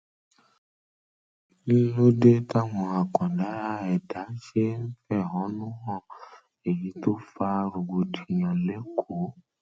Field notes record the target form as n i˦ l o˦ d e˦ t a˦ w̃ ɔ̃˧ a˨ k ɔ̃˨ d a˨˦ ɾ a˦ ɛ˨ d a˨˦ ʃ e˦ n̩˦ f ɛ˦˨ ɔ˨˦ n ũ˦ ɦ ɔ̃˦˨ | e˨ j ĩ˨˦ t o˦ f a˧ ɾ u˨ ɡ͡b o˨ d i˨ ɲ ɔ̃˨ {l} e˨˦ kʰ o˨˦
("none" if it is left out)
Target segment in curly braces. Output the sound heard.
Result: l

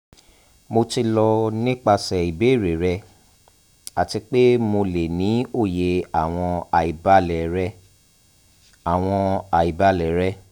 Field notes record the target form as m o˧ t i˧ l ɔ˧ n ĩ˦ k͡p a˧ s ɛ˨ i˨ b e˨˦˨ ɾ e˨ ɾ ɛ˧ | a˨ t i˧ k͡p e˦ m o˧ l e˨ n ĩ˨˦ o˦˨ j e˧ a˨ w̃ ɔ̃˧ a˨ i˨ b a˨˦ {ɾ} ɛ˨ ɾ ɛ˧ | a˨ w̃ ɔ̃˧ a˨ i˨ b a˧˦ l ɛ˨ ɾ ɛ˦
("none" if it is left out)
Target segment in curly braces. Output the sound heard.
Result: l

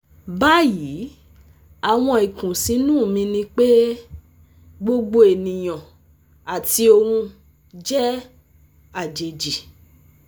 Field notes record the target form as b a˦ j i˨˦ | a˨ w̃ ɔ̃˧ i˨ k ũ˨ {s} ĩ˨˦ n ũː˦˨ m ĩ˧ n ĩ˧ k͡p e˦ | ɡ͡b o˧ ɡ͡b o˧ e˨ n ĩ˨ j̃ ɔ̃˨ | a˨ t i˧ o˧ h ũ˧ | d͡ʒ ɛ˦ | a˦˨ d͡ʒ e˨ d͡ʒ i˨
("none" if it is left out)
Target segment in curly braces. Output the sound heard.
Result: s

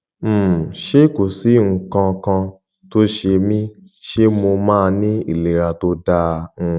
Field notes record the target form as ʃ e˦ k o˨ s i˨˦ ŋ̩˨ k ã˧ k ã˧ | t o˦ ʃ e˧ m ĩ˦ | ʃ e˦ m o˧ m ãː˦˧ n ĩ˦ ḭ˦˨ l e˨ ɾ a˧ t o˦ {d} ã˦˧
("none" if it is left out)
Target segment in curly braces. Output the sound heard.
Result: d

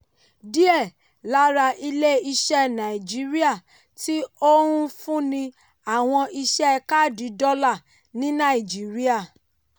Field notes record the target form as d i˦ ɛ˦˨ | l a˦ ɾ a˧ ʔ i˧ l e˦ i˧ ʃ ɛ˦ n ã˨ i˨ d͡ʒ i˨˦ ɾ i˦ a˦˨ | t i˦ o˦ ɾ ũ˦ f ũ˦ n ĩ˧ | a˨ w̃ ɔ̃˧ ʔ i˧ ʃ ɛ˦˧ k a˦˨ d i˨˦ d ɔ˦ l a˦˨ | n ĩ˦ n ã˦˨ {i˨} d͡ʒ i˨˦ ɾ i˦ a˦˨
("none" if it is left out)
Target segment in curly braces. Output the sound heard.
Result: i˨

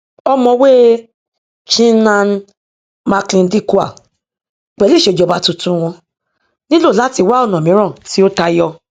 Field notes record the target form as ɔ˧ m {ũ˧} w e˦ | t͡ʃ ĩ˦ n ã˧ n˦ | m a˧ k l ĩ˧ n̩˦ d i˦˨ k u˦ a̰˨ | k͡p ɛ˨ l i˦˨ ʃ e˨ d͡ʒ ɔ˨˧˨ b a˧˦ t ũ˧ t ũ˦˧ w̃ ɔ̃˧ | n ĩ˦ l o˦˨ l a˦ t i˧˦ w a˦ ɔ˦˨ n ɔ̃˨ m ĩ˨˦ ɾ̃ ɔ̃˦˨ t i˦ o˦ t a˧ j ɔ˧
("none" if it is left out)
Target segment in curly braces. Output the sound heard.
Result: ɔ̃˧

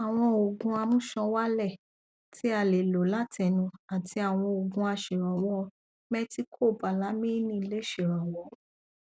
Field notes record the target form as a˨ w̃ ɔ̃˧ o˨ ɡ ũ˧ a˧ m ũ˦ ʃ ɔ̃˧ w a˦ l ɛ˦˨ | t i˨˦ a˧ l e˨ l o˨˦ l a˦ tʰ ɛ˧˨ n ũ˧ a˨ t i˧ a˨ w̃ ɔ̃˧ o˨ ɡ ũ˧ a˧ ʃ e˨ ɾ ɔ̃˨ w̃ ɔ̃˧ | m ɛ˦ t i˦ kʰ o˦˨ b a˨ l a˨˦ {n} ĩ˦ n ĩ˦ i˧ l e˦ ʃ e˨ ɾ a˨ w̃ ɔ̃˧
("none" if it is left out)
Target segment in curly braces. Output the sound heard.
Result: m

